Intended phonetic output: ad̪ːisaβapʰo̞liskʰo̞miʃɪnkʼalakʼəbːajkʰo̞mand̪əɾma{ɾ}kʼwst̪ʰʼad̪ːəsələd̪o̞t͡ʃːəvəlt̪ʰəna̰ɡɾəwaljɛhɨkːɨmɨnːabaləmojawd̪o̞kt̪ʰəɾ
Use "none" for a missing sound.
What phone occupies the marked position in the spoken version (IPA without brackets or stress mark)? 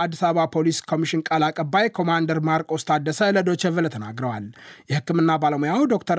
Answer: ɾ